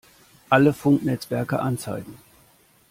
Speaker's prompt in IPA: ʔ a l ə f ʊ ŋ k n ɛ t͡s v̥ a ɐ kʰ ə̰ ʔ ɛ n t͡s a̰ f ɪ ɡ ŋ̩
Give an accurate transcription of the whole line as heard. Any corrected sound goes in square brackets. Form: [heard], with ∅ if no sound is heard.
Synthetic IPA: ʔ a l ə f ʊ ŋ k n ɛ t͡s v̥ [ɛ] ɐ [k] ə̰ ʔ [a] n t͡s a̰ [∅] ɪ ɡ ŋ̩